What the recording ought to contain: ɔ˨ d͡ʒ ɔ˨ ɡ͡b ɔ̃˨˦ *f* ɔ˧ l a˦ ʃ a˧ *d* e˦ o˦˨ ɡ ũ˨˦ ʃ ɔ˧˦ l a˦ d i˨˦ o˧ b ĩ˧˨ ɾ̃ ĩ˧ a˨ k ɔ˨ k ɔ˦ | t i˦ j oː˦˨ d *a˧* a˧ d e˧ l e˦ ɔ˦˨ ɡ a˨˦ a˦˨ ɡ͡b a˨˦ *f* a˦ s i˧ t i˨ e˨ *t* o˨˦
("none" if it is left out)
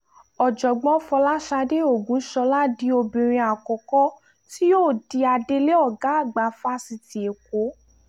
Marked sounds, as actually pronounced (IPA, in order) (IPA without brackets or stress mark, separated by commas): f, d, i˧, f, k